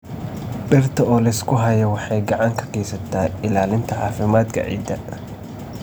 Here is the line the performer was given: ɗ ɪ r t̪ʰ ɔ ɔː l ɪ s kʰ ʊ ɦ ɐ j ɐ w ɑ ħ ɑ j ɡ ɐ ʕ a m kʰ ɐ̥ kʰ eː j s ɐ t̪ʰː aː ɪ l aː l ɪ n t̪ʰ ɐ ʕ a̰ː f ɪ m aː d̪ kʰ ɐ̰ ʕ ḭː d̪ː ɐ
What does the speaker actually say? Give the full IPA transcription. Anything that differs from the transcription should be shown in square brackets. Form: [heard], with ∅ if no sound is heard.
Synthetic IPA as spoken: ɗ ɪ r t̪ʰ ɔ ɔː l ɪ s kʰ ʊ ɦ ɐ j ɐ w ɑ ħ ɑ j ɡ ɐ ʕ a [ŋ] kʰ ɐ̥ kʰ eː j s ɐ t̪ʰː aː ɪ l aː l ɪ n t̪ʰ ɐ ʕ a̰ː f ɪ m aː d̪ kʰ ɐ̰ ʕ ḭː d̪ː ɐ